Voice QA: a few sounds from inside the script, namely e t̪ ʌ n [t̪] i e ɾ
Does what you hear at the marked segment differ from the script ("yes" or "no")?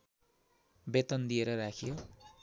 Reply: yes